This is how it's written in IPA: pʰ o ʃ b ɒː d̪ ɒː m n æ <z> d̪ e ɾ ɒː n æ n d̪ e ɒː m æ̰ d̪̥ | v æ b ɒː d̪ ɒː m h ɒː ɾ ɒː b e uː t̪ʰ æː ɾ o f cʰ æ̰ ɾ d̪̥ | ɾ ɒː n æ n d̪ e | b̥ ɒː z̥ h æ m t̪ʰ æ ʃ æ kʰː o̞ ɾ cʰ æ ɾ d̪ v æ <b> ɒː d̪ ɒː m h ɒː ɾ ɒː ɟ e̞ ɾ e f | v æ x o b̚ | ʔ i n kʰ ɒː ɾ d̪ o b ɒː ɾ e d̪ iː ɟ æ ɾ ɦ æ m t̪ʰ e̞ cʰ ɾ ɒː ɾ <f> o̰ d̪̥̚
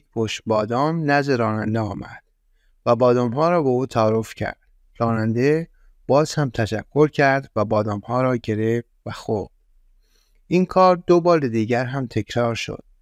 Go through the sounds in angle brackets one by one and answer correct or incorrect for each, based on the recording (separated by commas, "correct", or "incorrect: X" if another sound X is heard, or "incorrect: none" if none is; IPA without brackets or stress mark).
correct, correct, incorrect: ʃ